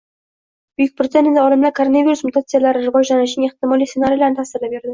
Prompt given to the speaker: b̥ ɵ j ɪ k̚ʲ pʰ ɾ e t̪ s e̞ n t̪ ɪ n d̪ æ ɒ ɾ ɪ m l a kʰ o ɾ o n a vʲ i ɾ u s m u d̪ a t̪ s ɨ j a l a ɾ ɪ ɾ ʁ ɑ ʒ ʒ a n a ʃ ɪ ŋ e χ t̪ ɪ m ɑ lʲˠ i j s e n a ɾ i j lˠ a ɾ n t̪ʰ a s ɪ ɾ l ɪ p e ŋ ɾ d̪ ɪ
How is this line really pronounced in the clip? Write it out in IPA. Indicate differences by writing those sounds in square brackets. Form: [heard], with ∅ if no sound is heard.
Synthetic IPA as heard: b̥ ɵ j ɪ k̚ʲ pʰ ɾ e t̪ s e̞ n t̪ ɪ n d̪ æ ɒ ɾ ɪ m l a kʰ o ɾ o n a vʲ i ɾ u s m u [t̪] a t̪ s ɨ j a l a ɾ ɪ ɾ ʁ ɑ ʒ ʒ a n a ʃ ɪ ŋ e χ t̪ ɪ m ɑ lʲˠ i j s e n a ɾ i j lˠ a ɾ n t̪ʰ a s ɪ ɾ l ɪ [b] e [∅] ɾ d̪ ɪ

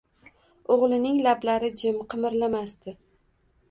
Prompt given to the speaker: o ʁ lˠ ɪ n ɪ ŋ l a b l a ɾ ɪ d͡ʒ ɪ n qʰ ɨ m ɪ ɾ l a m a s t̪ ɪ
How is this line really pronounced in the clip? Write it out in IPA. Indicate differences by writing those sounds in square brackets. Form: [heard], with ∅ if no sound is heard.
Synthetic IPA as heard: o ʁ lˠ ɪ n ɪ ŋ l a b l a ɾ ɪ d͡ʒ ɪ [m] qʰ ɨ m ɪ ɾ l a m a s t̪ ɪ

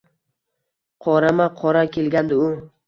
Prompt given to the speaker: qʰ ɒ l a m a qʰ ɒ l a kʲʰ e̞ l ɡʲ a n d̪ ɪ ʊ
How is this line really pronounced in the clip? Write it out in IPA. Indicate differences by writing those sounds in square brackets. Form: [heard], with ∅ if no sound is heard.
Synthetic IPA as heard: qʰ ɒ [ɾ] a m a qʰ ɒ [ɾ] a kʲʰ e̞ l ɡʲ a n d̪ ɪ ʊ

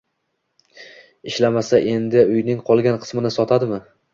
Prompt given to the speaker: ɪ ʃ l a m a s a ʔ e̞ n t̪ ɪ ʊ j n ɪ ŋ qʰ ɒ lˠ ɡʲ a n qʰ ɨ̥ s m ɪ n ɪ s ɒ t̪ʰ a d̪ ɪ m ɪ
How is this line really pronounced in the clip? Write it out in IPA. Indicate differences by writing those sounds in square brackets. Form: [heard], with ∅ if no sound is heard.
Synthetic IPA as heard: ɪ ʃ l a m a s a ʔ e̞ n [d̪] ɪ ʊ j n ɪ ŋ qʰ ɒ lˠ ɡʲ a n qʰ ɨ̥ s m ɪ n ɪ s ɒ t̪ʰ a d̪ ɪ m ɪ

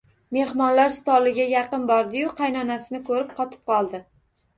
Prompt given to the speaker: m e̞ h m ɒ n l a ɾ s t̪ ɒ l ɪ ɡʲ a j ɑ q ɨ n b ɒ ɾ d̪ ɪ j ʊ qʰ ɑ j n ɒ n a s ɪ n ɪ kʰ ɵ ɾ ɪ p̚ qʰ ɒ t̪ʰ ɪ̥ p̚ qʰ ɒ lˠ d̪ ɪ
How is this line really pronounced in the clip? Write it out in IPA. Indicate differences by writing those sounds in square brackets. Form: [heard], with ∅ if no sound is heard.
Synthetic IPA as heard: m e̞ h m ɒ n l a ɾ s t̪ ɒ l ɪ ɡʲ a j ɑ q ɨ n b ɒ ɾ d̪ ɪ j ʊ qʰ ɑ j n ɒ n a s ɪ n ɪ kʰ ɵ ɾ ɪ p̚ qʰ ɒ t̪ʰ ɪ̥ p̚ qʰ ɒ lˠ d̪ ɪ

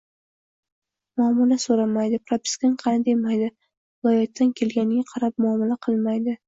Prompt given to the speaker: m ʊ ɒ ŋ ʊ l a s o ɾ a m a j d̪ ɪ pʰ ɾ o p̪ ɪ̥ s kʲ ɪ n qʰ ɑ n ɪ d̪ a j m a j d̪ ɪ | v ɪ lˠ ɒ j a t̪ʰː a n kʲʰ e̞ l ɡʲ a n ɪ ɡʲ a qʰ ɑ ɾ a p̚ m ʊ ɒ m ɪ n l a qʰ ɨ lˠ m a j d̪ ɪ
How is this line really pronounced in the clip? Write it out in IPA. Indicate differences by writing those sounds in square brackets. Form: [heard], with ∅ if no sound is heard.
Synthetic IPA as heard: m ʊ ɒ [m] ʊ l a s o ɾ a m a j d̪ ɪ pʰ ɾ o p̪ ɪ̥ s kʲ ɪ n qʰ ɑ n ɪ d̪ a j m a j d̪ ɪ | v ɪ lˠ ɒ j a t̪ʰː a n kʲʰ e̞ l ɡʲ a n ɪ ɡʲ a qʰ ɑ ɾ a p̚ m ʊ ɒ m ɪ [∅] l a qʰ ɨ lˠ m a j d̪ ɪ

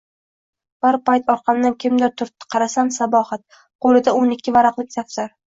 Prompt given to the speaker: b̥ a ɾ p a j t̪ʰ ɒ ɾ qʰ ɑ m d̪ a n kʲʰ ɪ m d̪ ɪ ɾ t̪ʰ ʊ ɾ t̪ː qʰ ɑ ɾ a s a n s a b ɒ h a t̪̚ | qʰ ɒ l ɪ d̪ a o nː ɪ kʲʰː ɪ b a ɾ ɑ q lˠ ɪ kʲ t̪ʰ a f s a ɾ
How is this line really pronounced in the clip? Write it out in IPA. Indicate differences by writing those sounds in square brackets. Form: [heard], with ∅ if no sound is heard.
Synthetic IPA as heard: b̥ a ɾ p a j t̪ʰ ɒ ɾ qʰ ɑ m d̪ a n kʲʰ ɪ m d̪ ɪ ɾ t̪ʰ ʊ ɾ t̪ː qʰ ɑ ɾ a s a n s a b ɒ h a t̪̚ | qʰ [o] l ɪ d̪ a o [n] ɪ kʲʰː ɪ [v] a ɾ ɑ q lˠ ɪ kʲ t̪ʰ a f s a ɾ

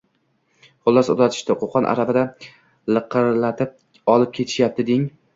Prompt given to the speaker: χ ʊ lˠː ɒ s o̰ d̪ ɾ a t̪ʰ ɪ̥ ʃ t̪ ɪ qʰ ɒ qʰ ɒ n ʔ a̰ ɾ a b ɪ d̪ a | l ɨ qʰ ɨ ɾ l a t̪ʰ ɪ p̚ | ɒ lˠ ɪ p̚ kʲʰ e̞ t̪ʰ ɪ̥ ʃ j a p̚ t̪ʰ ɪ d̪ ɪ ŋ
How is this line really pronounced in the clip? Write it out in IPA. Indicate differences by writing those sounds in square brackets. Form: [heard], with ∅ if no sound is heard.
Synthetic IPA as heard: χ ʊ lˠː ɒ s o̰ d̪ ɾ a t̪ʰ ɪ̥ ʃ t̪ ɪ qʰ [o] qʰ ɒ n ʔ a̰ ɾ a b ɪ d̪ a | l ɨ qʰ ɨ ɾ l a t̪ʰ ɪ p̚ | ɒ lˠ ɪ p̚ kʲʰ e̞ t̪ʰ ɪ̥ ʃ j a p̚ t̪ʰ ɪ d̪ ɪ ŋ

